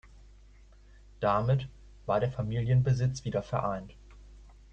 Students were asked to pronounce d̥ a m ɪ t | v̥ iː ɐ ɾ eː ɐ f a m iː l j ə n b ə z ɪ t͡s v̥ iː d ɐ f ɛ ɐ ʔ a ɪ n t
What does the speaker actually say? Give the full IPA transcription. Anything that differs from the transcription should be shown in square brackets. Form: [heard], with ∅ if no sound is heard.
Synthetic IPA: d̥ a m ɪ t | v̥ [aː] ɐ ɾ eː ɐ f a m iː l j ə n b ə z ɪ t͡s v̥ iː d ɐ f ɛ ɐ ʔ a ɪ n t